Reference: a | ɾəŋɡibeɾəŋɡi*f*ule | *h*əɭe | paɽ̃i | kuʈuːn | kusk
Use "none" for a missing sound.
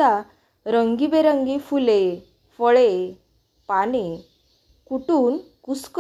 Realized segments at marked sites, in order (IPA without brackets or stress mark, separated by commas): f, f